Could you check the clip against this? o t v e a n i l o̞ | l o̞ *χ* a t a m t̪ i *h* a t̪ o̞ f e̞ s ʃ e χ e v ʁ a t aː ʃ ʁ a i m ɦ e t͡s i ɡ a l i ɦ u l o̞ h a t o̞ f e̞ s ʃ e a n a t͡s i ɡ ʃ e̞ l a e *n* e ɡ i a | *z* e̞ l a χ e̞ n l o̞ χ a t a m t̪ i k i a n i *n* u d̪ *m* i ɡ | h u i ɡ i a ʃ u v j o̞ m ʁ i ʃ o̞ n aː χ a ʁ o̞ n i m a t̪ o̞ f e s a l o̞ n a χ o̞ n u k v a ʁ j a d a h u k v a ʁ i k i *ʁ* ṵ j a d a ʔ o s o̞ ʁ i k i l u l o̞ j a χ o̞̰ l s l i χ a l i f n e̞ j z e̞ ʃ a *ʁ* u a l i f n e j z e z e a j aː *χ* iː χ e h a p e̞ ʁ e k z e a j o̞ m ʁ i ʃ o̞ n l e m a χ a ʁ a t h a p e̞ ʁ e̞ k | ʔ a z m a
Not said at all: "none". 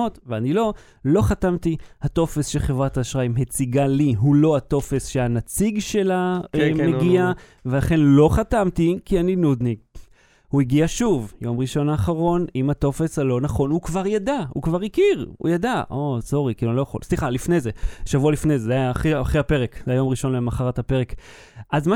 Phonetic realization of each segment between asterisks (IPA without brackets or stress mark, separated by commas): χ, h, m, v, n, n, ʁ, v, χ